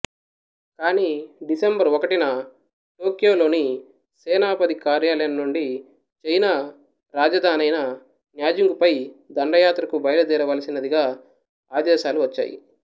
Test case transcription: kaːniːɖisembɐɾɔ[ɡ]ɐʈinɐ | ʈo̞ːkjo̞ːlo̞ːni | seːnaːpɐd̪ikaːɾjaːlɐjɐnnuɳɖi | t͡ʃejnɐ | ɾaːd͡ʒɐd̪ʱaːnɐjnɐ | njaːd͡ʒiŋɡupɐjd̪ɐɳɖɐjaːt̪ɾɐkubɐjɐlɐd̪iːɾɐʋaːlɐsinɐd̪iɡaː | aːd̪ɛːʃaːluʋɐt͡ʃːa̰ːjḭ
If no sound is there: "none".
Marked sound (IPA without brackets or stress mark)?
k